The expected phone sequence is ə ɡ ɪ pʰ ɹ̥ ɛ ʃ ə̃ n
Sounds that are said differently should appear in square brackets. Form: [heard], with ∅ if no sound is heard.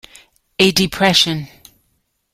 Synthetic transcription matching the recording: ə [d] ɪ pʰ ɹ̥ ɛ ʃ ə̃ n